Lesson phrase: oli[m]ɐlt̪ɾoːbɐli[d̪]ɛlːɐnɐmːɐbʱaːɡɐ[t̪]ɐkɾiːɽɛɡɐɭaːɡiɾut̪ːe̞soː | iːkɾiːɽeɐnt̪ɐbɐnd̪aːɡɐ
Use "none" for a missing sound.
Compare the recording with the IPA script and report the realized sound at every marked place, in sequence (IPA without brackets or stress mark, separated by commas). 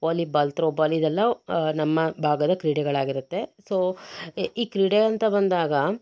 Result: b, d̪, d̪